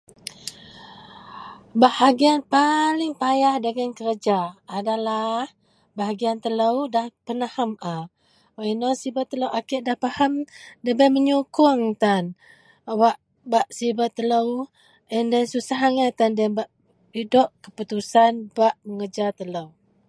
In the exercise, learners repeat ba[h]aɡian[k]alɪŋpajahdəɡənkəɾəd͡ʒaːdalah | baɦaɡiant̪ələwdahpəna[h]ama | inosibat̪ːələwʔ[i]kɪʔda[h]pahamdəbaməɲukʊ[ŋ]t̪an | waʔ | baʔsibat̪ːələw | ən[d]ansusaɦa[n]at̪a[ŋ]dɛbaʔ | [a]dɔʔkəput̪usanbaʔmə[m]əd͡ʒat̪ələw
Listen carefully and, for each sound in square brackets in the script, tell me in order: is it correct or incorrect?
correct, incorrect, correct, incorrect, correct, correct, correct, incorrect, incorrect, incorrect, incorrect

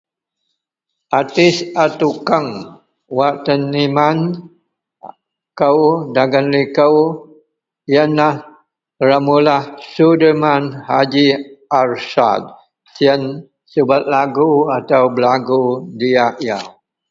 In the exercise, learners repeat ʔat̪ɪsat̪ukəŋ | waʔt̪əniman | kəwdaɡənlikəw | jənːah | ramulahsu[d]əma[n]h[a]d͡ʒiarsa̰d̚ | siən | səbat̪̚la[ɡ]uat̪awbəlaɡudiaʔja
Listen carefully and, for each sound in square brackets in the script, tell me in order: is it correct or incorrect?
correct, correct, correct, correct

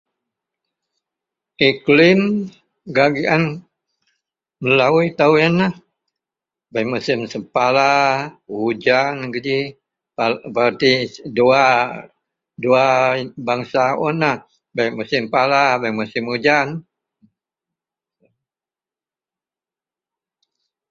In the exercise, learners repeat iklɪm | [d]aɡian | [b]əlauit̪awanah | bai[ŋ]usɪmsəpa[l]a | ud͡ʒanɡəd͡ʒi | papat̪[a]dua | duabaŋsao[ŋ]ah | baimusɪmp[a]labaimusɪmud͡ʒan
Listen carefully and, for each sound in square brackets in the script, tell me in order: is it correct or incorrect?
incorrect, incorrect, incorrect, correct, incorrect, incorrect, correct

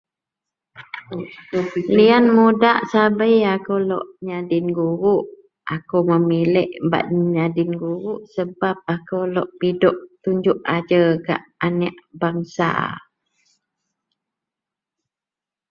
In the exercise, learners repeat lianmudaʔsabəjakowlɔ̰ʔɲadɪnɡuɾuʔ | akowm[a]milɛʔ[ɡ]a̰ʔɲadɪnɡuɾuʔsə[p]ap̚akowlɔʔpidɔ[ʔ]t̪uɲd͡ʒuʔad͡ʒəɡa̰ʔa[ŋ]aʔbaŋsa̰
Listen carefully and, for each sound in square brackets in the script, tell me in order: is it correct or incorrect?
incorrect, incorrect, incorrect, correct, incorrect

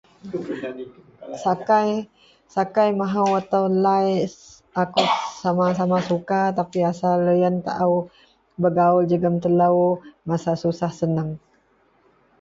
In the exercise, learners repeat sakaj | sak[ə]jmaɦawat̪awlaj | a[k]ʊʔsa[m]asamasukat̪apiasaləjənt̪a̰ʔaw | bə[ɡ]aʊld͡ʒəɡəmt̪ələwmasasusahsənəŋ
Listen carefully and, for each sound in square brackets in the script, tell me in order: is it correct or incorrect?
incorrect, correct, correct, correct

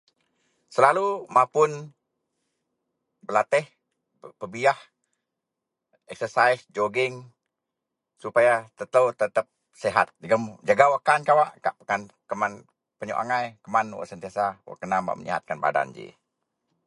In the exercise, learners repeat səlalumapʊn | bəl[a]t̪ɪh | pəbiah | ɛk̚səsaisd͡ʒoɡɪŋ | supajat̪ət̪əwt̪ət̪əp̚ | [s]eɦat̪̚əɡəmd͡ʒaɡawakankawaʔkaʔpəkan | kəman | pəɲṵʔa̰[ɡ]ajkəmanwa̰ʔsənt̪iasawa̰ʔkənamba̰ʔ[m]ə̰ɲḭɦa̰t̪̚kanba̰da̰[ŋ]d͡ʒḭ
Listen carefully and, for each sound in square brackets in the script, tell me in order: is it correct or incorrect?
correct, correct, incorrect, correct, incorrect

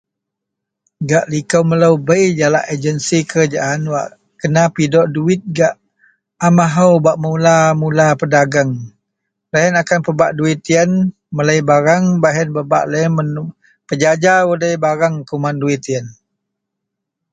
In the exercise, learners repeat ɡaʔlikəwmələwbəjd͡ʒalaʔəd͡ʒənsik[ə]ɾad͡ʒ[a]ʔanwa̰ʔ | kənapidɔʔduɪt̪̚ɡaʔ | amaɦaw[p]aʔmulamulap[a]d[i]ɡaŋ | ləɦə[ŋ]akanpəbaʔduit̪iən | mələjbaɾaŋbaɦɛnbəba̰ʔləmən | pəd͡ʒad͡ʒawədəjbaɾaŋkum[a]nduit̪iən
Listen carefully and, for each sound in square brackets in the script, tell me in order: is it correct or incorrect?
correct, correct, incorrect, incorrect, incorrect, incorrect, correct

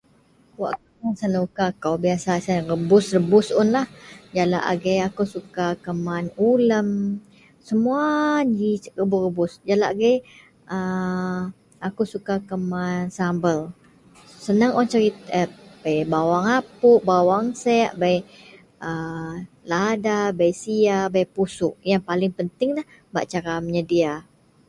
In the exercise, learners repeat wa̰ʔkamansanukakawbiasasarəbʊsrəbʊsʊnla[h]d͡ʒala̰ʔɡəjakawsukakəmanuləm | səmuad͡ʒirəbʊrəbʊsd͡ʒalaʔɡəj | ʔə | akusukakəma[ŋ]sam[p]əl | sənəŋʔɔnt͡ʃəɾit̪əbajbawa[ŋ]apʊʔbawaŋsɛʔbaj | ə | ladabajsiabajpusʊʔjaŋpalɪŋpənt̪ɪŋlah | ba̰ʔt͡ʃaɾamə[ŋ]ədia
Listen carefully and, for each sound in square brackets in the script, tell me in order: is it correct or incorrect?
correct, incorrect, incorrect, correct, incorrect

